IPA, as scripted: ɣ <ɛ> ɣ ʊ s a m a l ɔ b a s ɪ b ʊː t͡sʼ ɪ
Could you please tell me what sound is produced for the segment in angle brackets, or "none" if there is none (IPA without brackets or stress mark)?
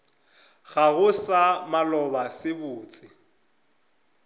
a